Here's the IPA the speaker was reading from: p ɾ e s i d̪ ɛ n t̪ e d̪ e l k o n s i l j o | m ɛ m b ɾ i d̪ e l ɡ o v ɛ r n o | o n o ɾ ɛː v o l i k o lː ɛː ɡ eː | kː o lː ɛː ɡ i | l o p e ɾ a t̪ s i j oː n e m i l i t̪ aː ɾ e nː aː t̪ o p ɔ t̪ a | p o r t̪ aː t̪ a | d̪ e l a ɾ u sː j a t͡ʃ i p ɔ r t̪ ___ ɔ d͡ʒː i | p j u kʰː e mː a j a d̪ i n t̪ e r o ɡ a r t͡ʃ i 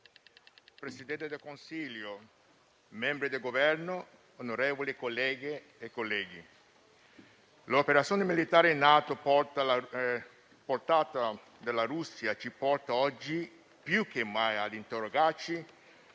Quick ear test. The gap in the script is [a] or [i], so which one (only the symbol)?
a